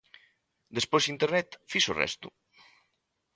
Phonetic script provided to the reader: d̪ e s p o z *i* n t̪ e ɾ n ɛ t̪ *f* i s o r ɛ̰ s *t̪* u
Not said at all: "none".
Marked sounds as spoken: i, f, t̪

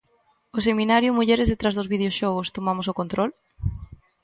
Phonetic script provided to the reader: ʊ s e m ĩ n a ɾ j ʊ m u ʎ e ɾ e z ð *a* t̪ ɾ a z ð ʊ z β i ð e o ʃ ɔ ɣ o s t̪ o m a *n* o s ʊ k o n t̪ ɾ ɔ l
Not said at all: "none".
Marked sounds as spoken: e, m

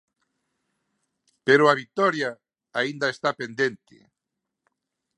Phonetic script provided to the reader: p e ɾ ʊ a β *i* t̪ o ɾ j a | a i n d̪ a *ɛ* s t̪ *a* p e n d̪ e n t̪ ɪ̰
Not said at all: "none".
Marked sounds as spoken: i, e, a

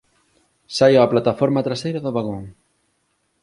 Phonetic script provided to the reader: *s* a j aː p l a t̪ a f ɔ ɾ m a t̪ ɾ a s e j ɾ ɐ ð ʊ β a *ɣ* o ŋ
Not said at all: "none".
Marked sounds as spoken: s, ɣ

